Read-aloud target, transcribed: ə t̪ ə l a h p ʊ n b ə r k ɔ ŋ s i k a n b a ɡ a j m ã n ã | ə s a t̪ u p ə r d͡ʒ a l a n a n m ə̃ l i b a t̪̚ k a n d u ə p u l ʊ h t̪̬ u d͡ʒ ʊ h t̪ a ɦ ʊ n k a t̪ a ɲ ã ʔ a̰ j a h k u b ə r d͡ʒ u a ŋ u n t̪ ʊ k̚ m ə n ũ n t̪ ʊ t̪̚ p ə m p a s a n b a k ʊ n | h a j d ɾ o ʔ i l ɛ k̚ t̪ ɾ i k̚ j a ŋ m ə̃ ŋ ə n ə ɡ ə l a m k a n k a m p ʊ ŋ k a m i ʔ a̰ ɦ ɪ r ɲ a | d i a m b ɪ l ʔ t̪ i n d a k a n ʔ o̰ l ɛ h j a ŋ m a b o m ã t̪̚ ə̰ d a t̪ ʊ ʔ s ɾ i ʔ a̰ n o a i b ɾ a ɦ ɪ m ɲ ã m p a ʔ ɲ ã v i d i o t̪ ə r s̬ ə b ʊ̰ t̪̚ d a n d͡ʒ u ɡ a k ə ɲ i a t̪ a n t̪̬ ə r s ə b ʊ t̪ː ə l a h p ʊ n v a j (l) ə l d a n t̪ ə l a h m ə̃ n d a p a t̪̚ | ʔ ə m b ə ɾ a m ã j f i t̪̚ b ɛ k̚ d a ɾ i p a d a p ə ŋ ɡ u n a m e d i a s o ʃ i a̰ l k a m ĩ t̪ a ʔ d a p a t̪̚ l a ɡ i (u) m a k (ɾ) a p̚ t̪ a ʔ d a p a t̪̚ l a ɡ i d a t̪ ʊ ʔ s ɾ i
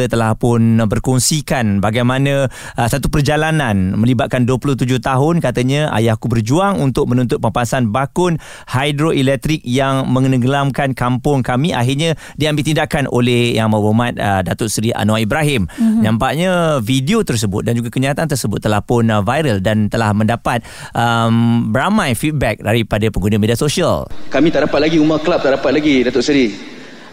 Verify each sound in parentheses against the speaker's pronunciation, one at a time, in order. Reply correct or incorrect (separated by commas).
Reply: incorrect, correct, incorrect